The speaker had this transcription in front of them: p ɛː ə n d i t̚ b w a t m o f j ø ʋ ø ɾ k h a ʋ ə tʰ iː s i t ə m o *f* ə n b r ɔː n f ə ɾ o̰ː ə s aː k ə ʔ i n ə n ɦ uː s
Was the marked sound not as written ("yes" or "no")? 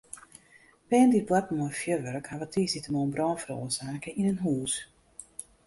yes